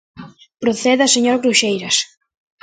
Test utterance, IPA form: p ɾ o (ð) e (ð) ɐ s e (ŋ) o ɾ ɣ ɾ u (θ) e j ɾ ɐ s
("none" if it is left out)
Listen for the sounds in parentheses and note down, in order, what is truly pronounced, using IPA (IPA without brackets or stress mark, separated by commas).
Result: θ, ð, ɲ, ʃ